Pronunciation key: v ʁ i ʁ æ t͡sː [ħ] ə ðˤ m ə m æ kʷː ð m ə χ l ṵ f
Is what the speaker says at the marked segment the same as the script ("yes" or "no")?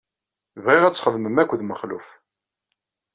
no